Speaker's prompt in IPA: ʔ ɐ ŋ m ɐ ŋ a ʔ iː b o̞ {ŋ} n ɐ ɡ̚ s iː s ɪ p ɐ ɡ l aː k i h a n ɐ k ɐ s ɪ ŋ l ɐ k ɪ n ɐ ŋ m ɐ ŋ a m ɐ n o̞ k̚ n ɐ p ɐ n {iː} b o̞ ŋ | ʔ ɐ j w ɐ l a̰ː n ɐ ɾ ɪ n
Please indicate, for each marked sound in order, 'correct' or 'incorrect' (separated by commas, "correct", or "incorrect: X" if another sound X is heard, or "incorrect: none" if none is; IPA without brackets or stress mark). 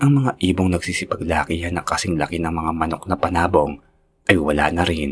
correct, incorrect: aː